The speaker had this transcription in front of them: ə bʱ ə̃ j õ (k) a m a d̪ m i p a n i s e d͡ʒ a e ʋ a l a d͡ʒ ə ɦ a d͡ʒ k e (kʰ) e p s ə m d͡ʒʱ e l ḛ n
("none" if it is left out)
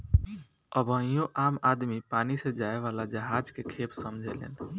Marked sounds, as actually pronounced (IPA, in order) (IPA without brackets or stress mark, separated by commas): ʔ, kʰ